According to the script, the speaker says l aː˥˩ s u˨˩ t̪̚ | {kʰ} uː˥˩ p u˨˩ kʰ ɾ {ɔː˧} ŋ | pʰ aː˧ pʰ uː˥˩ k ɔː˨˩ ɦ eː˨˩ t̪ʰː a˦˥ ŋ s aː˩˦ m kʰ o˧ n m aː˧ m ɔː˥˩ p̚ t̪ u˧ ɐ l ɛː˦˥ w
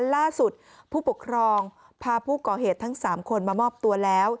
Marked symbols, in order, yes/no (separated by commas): no, yes